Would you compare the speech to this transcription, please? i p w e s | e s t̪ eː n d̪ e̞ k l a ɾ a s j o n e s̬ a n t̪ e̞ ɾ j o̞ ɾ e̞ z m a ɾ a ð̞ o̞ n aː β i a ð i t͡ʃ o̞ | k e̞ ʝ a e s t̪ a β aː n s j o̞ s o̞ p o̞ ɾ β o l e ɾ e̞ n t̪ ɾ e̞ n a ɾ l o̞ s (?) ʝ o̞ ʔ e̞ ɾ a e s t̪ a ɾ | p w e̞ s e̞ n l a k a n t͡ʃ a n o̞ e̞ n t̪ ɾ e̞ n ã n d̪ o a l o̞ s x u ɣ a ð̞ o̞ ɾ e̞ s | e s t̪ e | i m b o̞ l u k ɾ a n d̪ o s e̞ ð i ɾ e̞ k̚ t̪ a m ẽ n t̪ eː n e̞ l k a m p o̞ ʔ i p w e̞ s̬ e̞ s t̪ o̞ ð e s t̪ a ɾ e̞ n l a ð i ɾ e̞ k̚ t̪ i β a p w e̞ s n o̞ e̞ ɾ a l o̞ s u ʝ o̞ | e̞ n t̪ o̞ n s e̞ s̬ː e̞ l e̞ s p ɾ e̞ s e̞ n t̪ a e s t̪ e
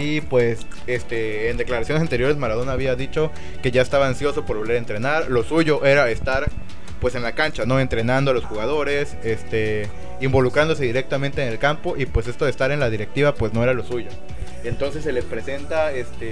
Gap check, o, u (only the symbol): u